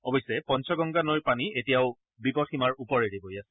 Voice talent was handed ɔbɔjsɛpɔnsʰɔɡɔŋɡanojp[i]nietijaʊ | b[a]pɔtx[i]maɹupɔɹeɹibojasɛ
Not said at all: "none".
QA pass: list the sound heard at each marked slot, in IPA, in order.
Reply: a, i, i

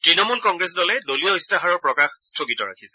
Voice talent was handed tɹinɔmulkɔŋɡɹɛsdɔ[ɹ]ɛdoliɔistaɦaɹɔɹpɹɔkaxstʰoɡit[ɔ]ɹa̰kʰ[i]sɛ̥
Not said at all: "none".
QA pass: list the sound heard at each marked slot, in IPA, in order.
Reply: l, ɔ, i

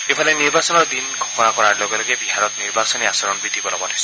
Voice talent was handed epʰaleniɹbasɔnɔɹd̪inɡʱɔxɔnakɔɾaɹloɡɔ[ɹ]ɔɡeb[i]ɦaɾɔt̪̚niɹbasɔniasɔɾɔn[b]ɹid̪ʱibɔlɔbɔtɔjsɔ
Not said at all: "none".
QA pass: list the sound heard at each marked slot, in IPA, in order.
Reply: l, i, b

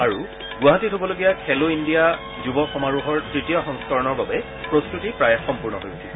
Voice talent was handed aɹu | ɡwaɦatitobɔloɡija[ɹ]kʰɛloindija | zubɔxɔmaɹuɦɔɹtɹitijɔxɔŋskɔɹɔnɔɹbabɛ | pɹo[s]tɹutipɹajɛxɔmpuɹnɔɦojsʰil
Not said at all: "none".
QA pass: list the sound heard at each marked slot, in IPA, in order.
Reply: none, s

